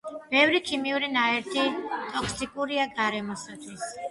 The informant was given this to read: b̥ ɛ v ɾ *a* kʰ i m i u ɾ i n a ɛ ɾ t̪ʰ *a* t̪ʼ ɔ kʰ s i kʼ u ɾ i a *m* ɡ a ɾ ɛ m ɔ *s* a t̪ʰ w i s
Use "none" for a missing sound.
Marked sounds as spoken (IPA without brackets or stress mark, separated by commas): i, i, none, s